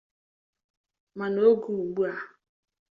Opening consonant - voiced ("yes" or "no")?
yes